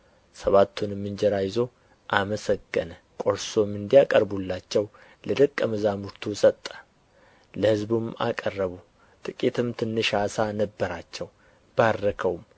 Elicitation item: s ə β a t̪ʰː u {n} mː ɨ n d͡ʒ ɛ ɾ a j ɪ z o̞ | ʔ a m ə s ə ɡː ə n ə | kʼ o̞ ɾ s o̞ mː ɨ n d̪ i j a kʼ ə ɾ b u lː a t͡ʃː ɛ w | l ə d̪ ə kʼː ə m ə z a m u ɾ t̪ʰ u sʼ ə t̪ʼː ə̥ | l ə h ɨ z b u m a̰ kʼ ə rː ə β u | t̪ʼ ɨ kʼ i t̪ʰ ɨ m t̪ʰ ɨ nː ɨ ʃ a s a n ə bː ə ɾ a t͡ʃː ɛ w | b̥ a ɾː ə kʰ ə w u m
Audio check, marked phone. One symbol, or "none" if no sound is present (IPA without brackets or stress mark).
n